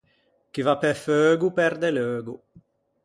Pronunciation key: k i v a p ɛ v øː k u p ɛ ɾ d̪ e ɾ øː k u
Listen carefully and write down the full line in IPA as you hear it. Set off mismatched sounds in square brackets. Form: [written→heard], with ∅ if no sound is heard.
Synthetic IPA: k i v a p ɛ [v→f] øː [k→ɡ] u p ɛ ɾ d̪ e [ɾ→l] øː [k→ɡ] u